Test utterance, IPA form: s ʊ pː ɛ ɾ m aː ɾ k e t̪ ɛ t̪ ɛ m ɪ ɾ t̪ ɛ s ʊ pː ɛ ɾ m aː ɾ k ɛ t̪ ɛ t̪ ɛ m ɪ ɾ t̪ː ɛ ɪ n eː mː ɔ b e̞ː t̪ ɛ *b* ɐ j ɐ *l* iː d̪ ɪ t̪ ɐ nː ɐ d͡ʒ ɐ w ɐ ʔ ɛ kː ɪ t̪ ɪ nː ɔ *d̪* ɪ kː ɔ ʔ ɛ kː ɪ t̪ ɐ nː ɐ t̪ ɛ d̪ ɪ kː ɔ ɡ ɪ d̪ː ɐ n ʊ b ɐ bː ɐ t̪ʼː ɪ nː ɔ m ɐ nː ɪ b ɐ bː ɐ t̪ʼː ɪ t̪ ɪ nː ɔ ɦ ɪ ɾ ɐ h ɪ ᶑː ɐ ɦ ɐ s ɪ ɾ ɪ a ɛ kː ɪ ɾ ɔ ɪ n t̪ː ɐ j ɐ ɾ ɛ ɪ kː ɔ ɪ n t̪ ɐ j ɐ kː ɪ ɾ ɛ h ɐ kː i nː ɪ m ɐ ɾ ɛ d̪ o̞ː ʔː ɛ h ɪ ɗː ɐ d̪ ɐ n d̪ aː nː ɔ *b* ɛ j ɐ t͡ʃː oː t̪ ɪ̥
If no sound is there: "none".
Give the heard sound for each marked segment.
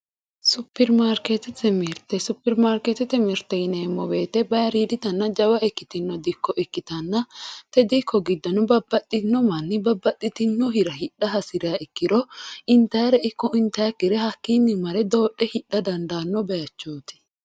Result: b, ɾ, d̪, b

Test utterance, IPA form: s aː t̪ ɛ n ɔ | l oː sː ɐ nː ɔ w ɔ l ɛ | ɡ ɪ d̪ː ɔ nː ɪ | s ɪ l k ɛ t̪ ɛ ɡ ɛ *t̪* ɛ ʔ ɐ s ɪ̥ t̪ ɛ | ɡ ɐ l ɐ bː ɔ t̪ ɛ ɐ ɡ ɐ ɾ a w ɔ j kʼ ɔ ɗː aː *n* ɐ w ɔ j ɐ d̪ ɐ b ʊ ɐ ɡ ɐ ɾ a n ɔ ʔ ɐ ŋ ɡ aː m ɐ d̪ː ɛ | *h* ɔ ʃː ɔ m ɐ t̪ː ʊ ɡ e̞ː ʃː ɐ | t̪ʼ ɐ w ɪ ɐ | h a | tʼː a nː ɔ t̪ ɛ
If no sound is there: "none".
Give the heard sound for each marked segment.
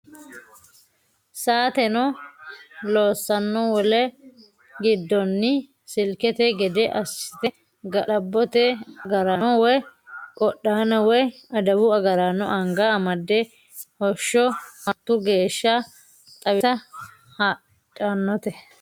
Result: d̪, n, h

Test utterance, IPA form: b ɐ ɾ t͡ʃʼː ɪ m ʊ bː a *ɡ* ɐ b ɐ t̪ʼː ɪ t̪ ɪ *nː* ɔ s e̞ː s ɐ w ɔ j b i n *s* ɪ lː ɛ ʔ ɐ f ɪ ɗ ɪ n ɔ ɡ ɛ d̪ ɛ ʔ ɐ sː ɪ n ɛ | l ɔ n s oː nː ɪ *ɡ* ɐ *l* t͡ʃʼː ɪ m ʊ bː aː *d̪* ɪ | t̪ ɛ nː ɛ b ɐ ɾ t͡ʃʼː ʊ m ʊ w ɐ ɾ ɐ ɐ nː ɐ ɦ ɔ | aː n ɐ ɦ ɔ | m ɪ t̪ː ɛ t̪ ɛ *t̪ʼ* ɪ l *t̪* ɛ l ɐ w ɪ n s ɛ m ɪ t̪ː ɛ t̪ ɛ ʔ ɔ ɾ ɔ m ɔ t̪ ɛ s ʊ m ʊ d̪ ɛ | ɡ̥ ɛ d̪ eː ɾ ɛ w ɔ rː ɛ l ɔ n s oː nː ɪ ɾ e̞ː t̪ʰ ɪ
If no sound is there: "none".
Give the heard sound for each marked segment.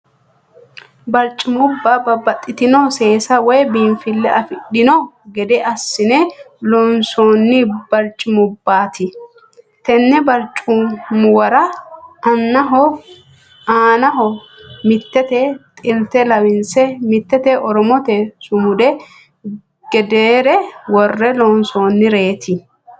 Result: b, n, f, b, ɾ, t̪, t̪ʼ, t̪

